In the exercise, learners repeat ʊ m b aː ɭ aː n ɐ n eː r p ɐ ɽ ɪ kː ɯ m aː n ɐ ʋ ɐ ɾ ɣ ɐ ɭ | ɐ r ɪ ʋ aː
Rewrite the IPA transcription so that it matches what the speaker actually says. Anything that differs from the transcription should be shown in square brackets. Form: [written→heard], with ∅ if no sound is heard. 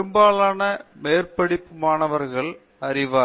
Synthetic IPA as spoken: [ʊ→ɯ] m b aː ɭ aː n ɐ [n→m] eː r p ɐ ɽ ɪ [kː→pː] ɯ m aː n ɐ ʋ ɐ ɾ ɣ ɐ ɭ | ɐ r ɪ ʋ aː